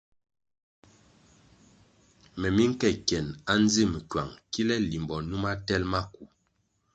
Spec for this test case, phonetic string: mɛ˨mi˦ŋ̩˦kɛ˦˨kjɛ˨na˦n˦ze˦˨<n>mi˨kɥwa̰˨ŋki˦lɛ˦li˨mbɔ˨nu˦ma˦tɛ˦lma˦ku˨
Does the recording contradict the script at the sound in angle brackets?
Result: yes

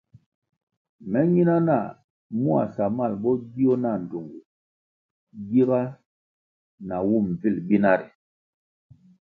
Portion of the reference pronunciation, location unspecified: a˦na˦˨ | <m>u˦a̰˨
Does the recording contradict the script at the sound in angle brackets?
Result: no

